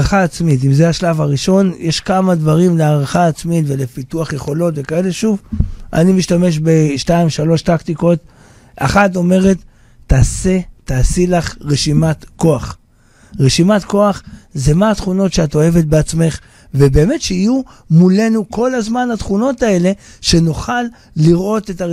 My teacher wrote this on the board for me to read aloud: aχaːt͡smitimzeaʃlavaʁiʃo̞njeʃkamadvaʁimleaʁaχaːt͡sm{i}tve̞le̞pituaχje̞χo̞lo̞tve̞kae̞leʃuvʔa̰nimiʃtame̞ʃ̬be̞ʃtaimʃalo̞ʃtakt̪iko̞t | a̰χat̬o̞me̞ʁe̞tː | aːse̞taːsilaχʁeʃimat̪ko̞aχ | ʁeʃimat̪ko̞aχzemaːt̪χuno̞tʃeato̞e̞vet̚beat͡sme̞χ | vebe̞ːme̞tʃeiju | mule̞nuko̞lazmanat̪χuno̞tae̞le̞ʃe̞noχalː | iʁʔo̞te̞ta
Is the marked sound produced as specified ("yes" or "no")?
yes